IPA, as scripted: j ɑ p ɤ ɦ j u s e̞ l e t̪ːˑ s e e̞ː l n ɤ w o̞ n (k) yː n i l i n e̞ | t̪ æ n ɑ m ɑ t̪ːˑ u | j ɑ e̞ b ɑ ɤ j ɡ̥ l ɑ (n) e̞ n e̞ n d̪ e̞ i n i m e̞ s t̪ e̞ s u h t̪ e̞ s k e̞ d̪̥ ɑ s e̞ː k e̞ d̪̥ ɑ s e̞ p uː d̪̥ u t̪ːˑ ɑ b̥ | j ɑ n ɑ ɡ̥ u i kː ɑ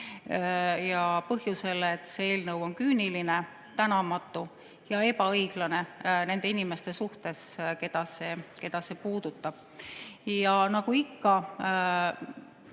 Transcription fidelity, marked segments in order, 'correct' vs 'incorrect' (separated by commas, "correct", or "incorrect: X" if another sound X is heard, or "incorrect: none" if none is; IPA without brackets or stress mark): correct, correct